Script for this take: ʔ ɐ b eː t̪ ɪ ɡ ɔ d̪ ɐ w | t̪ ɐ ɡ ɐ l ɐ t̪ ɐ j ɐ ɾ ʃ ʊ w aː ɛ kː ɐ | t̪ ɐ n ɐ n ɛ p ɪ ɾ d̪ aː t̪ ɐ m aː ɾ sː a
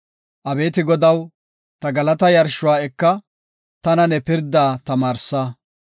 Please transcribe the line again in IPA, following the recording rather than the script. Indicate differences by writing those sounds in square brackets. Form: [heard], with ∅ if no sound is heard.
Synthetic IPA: ʔ ɐ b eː t̪ ɪ ɡ ɔ d̪ ɐ w | t̪ ɐ ɡ ɐ l ɐ t̪ ɐ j ɐ ɾ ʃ ʊ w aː ɛ kː ɐ | t̪ ɐ n ɐ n ɛ p ɪ ɾ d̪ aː t̪ ɐ m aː ɾ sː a